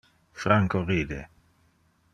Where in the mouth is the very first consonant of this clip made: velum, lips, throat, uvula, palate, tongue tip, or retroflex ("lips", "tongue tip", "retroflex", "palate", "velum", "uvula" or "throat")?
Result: lips